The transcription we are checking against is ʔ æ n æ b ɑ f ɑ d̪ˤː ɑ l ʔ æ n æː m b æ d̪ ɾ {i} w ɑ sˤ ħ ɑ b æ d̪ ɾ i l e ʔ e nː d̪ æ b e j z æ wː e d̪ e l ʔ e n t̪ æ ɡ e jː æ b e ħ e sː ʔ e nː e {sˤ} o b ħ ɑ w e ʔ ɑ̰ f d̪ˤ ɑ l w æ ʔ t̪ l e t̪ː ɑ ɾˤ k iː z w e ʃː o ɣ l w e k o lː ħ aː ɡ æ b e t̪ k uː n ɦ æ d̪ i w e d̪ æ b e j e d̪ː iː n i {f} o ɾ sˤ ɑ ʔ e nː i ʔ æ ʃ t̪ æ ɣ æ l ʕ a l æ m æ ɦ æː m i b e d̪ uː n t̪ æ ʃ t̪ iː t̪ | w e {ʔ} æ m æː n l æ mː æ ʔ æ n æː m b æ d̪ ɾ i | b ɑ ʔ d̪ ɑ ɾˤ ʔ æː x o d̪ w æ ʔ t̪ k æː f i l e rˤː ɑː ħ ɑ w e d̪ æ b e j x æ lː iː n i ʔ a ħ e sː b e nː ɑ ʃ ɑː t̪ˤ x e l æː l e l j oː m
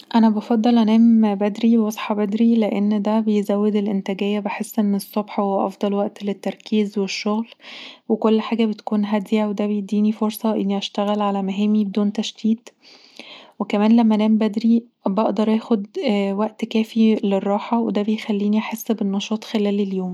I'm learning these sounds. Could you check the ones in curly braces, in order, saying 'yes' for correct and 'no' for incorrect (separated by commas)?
yes, no, yes, no